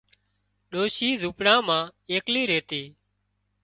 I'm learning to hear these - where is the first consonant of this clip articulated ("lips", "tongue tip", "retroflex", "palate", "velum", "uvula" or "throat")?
tongue tip